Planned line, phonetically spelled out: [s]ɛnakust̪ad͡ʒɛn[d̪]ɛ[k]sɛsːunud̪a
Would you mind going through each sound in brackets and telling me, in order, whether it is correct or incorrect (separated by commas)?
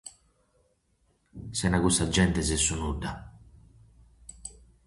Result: correct, incorrect, incorrect